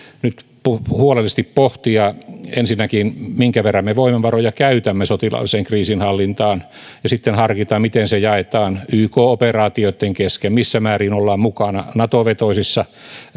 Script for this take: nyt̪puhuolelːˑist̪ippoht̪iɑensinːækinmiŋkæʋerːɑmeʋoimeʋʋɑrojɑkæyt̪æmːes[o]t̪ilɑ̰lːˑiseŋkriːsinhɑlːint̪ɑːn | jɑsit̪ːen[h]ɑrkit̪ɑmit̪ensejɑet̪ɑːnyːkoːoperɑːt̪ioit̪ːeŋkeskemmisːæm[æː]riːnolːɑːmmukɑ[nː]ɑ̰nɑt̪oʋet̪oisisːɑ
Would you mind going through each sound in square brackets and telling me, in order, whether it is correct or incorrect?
correct, correct, correct, incorrect

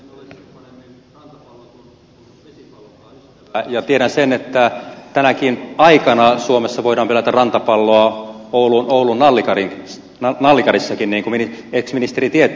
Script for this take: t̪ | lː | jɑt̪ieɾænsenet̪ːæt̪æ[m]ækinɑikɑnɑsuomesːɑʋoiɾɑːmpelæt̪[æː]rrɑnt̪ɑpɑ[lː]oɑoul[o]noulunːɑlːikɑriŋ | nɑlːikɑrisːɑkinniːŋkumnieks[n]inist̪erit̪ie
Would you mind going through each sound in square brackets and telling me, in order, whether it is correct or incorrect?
incorrect, incorrect, correct, incorrect, incorrect

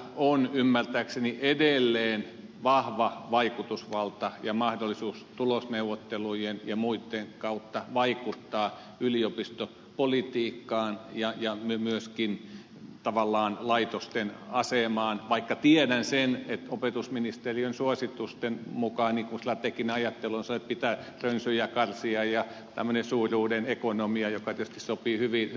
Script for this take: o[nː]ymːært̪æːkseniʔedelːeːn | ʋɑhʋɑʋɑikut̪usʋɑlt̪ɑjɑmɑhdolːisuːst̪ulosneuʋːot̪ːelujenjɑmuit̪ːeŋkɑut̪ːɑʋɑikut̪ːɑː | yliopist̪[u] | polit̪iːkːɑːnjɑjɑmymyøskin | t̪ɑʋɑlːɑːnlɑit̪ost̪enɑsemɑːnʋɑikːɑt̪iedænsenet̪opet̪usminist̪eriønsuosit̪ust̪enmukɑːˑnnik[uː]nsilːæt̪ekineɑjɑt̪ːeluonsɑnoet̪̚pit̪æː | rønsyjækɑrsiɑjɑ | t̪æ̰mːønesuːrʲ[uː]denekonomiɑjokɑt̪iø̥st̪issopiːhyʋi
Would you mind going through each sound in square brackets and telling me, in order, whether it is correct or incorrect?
incorrect, incorrect, incorrect, correct

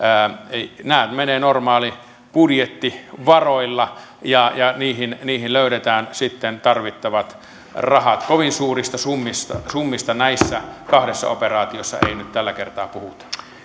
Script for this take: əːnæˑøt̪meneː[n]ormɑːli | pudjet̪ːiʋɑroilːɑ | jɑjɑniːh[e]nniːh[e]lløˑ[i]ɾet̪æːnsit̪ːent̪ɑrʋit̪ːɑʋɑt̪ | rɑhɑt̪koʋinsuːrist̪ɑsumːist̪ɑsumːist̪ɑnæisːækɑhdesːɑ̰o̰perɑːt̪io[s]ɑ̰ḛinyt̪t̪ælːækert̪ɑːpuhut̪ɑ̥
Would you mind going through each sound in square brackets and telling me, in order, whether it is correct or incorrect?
correct, incorrect, incorrect, incorrect, incorrect

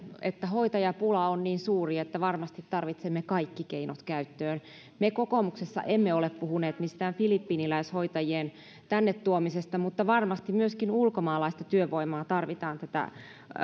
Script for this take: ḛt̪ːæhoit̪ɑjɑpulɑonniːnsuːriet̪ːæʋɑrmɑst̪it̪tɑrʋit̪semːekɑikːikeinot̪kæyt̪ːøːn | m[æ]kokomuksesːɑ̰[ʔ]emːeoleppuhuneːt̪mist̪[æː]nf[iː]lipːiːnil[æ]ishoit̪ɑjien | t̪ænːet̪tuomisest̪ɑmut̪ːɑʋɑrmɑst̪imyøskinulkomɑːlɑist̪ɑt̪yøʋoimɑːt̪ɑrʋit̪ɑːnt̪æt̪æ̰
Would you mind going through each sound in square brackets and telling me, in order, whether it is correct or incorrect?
incorrect, correct, correct, incorrect, correct

